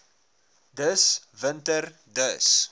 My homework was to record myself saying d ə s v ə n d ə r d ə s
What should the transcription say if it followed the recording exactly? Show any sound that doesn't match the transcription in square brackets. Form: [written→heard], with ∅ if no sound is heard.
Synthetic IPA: d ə s v ə n [d→t] ə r d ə s